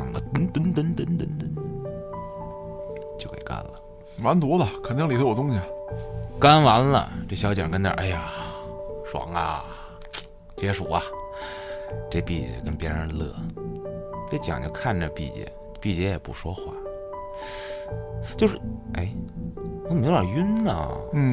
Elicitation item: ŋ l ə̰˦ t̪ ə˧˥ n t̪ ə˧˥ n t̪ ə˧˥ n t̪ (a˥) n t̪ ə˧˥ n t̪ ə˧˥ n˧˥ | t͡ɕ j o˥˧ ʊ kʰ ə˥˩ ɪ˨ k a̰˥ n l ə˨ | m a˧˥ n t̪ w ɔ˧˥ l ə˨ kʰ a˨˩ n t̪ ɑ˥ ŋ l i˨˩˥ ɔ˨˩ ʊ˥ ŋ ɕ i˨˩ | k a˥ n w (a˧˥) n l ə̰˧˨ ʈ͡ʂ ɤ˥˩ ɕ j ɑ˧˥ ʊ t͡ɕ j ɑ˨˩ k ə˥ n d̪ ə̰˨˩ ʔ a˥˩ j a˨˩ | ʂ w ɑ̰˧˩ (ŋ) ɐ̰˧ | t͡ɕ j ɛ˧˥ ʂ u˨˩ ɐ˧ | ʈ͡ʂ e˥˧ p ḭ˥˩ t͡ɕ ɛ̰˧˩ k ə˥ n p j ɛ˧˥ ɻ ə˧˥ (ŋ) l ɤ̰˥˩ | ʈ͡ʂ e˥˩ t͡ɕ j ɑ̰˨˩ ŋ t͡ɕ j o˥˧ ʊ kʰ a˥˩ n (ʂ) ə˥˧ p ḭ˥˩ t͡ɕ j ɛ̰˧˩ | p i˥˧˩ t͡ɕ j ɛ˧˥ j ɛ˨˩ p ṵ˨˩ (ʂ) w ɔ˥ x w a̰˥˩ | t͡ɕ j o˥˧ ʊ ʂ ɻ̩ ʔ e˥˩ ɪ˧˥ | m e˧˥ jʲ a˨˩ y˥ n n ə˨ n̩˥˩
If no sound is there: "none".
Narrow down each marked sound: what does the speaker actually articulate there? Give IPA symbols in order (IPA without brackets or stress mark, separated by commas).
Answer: ə˥, a˧˥, ŋ, n, ʈ͡ʂ, ʂ